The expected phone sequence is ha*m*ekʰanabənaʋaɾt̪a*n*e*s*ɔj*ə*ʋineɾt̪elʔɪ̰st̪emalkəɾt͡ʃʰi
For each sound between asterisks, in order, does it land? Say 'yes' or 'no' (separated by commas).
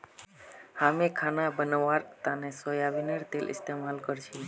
yes, yes, yes, no